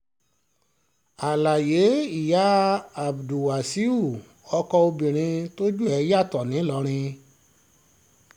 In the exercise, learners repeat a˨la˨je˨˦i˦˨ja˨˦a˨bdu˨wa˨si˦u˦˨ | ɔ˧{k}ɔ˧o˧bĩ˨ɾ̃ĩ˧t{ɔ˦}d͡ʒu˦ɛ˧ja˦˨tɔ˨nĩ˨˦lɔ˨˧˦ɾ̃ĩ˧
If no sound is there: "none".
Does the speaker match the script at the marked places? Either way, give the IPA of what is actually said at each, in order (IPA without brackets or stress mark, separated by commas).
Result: k, o˦